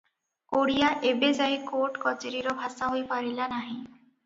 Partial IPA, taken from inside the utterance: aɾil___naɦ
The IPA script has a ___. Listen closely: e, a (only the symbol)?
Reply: a